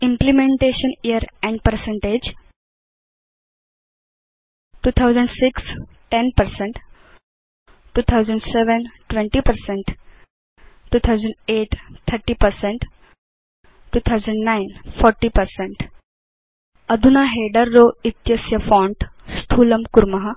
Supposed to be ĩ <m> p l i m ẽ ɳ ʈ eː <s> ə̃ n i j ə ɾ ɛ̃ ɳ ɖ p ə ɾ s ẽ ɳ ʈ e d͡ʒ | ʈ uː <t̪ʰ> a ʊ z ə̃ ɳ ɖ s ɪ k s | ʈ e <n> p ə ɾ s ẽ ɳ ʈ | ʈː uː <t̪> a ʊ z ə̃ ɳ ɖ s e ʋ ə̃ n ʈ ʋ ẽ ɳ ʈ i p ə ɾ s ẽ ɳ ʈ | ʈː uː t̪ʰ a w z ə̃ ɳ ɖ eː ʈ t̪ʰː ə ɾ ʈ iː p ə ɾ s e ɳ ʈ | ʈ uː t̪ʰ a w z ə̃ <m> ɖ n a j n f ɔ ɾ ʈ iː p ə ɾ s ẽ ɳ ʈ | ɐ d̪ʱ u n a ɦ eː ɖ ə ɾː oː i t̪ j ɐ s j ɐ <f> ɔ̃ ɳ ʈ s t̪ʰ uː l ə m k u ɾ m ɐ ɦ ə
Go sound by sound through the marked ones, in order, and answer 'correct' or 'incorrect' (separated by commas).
correct, incorrect, correct, correct, incorrect, incorrect, correct